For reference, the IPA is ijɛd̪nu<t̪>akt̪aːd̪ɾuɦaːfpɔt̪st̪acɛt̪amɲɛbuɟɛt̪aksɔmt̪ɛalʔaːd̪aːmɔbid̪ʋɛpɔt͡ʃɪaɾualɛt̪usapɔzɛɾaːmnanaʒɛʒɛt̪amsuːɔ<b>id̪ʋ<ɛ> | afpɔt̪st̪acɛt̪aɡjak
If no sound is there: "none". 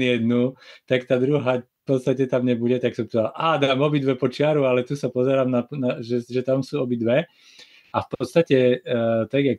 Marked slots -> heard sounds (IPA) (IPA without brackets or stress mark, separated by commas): t̪, b, ɛ